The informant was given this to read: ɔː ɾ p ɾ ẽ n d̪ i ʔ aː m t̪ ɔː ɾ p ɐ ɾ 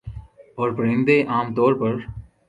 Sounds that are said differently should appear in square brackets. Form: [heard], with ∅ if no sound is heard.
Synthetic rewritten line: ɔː ɾ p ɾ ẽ n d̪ [e] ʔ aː m t̪ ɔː ɾ p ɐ ɾ

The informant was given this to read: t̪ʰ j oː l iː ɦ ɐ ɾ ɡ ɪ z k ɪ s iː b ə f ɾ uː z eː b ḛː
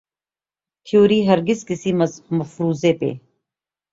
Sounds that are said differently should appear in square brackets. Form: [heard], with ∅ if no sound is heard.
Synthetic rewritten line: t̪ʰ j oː [ɾ] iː ɦ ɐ ɾ ɡ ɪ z k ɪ s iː [m] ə f ɾ uː z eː [p] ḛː

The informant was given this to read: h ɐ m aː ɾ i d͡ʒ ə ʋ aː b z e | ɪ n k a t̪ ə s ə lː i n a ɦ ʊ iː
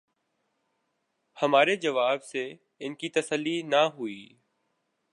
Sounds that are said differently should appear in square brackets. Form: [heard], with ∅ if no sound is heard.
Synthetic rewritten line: h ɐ m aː ɾ [e] d͡ʒ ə ʋ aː b [s] e | ɪ n k [i] t̪ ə s ə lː i n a ɦ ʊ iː

